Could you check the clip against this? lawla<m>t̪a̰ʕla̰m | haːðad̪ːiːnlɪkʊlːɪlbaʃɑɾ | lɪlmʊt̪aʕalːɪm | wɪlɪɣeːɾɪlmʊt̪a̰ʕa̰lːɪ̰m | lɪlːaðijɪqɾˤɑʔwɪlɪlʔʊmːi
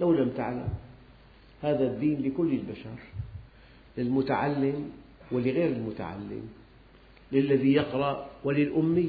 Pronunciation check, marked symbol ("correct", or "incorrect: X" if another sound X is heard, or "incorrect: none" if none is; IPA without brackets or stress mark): correct